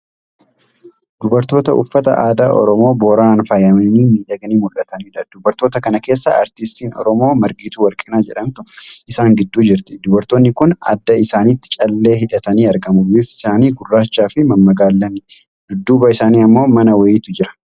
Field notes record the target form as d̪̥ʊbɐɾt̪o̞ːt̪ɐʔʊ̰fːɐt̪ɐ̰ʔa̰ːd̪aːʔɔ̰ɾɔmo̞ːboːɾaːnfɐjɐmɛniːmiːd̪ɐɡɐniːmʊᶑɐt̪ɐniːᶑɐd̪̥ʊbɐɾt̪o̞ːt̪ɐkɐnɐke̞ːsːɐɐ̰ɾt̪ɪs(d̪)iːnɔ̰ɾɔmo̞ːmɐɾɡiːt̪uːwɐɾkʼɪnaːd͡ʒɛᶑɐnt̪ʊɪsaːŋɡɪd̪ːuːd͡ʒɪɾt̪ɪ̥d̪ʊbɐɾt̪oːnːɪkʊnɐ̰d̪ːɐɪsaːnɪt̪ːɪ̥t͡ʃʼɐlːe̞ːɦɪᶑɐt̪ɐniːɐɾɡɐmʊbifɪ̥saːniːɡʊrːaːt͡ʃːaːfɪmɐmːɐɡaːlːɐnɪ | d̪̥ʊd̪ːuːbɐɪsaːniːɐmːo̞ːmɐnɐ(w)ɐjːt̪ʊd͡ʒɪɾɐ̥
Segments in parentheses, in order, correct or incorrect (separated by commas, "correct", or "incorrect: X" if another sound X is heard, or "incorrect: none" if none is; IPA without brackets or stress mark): incorrect: t̪, correct